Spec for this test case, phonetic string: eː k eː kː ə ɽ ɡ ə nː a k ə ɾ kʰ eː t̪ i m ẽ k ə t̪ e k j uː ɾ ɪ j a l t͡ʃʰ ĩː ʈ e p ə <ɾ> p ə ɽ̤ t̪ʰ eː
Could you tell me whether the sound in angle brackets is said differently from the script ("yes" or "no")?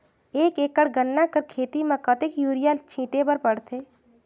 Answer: no